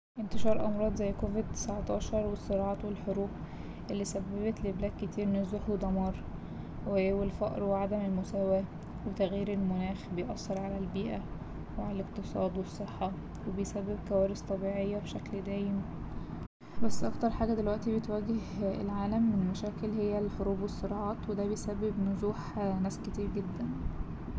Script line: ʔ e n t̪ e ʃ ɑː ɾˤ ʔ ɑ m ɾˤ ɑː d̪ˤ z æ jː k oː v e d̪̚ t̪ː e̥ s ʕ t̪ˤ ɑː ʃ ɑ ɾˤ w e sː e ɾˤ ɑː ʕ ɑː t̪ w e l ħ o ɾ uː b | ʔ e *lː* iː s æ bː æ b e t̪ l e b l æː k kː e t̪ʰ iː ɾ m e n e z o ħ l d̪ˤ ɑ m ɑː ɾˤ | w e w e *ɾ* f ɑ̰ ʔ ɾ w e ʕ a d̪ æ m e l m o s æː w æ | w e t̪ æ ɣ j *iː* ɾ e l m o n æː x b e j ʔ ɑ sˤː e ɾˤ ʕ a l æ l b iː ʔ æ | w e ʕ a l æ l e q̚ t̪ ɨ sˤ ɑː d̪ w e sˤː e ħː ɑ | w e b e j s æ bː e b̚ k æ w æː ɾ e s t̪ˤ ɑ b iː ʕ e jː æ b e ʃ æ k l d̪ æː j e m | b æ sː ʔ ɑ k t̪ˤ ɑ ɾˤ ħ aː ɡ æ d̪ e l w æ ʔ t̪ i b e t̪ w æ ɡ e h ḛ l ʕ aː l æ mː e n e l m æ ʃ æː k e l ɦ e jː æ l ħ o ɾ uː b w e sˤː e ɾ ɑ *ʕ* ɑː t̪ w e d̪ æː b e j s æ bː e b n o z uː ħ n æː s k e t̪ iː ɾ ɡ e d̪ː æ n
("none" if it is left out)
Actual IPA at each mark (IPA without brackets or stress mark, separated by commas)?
lː, l, iː, ʕ